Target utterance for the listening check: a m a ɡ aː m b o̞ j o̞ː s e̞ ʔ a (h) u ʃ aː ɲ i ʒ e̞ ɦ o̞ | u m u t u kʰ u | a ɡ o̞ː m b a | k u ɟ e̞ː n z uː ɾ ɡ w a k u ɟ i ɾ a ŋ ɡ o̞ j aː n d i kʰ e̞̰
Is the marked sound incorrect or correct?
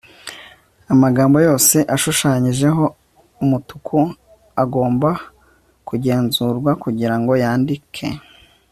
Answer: incorrect